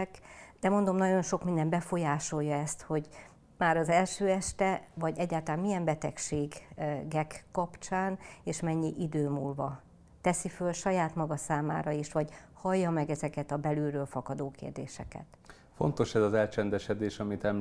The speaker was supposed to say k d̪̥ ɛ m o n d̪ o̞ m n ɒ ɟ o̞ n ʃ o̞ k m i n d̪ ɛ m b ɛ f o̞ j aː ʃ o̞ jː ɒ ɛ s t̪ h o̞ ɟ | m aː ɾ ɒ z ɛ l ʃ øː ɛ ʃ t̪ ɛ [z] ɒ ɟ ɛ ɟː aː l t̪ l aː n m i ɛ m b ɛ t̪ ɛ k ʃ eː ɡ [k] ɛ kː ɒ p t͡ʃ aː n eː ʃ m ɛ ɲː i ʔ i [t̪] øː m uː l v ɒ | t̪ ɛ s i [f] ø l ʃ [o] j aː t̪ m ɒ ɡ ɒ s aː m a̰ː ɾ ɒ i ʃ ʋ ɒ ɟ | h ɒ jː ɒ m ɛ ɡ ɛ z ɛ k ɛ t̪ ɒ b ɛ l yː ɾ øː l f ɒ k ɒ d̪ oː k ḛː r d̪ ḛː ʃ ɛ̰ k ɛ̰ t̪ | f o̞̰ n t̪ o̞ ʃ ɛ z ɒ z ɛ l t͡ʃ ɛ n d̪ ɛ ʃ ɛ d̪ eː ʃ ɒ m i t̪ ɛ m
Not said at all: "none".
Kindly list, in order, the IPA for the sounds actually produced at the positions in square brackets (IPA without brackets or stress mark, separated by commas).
v, ɡ, d̪, f, ɒ